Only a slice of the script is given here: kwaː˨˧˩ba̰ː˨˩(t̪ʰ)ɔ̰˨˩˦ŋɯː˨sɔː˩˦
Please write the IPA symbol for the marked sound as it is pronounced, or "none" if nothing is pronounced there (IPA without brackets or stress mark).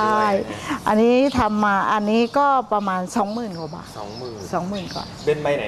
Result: none